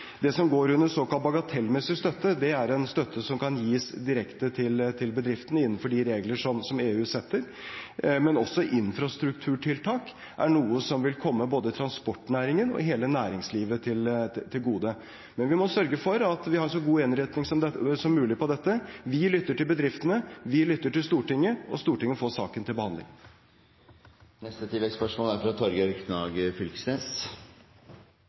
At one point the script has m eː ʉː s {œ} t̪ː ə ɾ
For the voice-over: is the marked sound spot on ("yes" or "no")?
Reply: no